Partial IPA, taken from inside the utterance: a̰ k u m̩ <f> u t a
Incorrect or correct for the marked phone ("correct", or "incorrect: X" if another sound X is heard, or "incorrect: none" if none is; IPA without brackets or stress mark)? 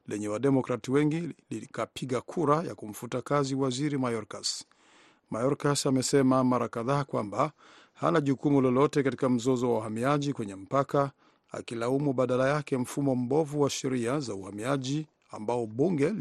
correct